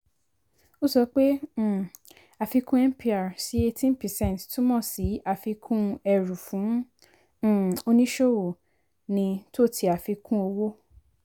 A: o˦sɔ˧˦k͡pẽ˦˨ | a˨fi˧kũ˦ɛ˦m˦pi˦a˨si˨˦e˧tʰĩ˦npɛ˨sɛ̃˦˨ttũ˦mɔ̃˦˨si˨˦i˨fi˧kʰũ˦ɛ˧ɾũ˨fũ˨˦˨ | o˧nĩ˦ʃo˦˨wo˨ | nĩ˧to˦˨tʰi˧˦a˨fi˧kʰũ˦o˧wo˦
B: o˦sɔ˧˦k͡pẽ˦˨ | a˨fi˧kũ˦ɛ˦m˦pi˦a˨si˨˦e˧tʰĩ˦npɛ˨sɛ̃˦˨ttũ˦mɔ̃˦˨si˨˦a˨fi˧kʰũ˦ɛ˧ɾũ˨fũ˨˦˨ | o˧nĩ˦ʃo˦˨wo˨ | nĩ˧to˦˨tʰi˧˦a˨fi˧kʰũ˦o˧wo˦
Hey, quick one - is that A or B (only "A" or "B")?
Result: B